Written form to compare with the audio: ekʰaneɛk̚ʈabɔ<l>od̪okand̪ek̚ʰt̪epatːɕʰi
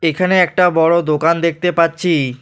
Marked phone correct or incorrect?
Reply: incorrect